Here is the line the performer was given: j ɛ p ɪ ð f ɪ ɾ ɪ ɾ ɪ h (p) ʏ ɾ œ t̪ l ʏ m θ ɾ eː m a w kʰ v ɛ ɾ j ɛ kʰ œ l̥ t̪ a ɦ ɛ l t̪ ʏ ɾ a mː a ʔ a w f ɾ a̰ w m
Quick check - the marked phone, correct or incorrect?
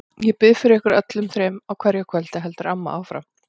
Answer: incorrect